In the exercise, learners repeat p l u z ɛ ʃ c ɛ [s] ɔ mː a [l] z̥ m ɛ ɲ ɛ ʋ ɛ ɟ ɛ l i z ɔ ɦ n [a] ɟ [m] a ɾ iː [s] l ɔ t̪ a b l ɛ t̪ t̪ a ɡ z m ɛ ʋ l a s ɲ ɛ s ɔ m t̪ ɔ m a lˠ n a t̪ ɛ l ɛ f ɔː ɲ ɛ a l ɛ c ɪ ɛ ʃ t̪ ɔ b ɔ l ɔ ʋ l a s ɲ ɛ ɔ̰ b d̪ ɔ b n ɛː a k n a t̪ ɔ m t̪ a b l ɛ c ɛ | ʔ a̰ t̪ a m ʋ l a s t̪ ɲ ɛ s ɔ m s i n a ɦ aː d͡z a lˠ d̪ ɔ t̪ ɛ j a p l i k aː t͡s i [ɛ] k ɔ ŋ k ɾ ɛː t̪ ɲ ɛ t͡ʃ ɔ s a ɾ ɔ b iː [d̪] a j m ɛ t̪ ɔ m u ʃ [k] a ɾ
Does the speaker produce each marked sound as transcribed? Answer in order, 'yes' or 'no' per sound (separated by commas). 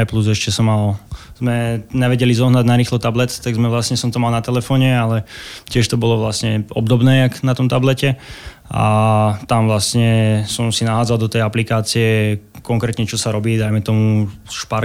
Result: yes, yes, yes, no, no, yes, yes, no